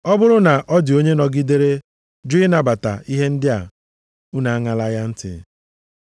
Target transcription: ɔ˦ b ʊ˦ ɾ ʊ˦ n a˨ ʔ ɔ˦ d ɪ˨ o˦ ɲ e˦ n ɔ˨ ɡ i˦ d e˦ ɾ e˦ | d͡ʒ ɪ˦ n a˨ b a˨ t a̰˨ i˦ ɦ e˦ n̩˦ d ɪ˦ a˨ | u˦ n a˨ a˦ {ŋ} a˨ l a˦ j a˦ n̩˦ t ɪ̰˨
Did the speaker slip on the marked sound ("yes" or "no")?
no